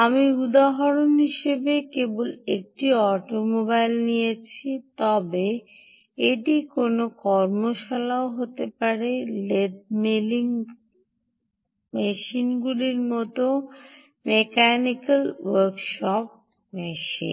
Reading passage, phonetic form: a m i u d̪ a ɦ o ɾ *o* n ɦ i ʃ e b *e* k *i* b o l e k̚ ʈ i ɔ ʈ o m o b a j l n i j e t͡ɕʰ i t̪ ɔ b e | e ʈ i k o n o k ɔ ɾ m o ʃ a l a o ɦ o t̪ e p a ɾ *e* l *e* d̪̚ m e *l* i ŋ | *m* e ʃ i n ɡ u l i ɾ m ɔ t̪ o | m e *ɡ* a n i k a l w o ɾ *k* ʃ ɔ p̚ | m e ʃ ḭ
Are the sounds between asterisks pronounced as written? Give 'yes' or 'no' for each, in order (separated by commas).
yes, yes, no, yes, yes, yes, yes, no, yes